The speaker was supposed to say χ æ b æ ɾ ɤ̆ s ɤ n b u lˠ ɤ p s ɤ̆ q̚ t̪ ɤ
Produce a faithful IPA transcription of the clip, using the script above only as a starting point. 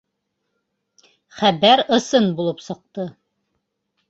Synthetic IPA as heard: χ æ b æ ɾ ɤ̆ s ɤ n b u lˠ ɤ p s ɤ̆ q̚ t̪ ɤ